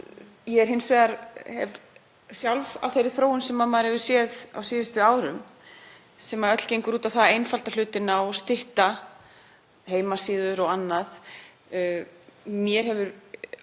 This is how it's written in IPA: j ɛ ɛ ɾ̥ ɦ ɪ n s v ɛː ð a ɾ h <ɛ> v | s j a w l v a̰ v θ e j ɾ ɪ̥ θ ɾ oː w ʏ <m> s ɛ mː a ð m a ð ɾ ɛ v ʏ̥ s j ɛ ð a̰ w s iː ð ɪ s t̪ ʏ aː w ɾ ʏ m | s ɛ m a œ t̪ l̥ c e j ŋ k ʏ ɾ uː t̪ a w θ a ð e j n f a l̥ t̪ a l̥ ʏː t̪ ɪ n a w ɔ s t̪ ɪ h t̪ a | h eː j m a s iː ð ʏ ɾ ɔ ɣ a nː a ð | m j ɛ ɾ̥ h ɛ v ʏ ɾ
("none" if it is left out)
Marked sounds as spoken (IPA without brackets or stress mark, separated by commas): ɛ, n